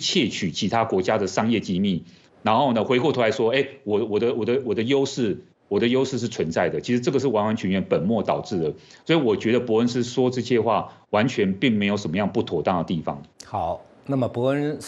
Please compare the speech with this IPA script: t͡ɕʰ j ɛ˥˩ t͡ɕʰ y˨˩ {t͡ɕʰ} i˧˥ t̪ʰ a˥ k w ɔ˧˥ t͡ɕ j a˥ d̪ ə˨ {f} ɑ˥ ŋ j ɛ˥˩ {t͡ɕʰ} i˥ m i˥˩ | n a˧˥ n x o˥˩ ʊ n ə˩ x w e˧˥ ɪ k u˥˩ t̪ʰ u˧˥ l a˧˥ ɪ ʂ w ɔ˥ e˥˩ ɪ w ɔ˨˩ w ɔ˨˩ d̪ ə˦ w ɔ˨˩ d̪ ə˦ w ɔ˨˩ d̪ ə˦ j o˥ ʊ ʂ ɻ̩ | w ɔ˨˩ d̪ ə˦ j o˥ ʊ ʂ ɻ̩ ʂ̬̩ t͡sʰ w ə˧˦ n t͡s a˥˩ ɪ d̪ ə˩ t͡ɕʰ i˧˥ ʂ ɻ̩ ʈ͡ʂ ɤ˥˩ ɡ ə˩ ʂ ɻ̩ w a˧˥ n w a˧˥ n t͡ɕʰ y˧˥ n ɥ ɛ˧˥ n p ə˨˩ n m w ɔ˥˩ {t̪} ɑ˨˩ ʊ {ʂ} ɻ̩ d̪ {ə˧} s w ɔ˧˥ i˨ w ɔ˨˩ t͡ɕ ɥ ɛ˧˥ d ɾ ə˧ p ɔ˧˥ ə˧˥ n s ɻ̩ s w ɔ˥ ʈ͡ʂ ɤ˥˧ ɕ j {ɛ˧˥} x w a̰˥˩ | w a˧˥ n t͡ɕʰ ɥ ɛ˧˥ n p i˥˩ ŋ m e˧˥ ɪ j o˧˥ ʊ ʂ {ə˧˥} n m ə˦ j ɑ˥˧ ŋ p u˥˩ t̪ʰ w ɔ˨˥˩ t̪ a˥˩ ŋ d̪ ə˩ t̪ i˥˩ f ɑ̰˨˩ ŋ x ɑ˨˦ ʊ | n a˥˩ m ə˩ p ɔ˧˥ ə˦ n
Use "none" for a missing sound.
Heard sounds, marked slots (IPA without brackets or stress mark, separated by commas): t͡ɕʰ, ʂ, t͡ɕ, t̪, ʈ͡ʂ, ə˩, ɛ˥˧, ə˨˩